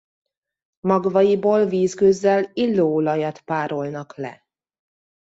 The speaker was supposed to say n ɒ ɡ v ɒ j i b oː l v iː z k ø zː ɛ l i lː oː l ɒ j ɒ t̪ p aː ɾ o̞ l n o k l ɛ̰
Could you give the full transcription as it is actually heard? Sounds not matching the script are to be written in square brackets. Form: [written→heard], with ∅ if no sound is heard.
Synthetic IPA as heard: [n→m] ɒ ɡ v ɒ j i b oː l v iː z k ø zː ɛ l i lː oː l ɒ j ɒ t̪ p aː ɾ o̞ l n [o→ɒ] k l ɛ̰